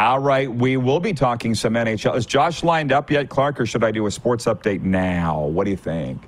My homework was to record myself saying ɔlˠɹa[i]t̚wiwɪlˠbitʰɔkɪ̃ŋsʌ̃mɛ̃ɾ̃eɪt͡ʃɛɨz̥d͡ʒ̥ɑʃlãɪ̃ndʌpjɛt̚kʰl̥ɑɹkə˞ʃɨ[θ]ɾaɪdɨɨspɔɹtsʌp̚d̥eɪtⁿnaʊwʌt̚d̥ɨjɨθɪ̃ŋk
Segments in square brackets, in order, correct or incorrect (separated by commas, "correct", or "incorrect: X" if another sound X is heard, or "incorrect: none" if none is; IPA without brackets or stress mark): incorrect: ɪ, incorrect: none